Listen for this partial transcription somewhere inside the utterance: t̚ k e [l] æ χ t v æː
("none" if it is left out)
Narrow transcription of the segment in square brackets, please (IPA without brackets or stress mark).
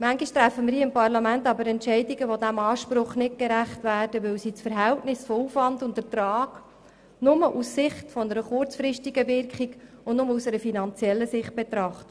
ɾ